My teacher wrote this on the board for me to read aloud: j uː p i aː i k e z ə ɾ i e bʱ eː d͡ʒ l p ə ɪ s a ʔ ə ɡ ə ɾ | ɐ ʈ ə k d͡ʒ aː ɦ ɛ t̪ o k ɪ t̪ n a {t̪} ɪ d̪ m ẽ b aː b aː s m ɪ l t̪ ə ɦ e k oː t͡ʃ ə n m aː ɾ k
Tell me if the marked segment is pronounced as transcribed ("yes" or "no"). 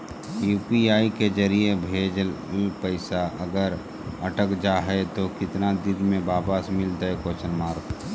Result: no